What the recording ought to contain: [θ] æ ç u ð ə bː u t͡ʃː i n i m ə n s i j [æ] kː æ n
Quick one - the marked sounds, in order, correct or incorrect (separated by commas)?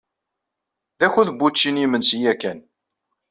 incorrect, correct